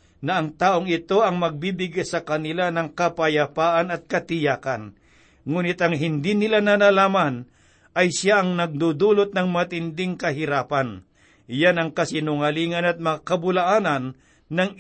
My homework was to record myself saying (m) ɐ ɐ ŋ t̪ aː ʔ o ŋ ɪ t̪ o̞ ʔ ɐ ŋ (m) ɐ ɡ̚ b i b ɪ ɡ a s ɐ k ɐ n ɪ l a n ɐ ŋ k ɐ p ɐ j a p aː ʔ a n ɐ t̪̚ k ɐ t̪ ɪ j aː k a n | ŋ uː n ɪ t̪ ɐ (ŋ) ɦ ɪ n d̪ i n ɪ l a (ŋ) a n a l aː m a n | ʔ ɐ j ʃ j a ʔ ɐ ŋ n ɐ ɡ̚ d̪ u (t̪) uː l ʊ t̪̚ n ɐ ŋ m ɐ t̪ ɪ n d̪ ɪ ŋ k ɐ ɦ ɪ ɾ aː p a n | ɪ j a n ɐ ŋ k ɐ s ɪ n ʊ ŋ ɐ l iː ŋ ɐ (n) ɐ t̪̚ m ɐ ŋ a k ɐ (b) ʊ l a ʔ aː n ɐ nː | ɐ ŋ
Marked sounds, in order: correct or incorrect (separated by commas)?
incorrect, correct, correct, incorrect, incorrect, correct, correct